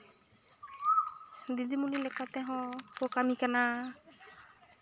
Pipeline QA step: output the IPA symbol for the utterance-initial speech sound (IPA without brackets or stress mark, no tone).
d̪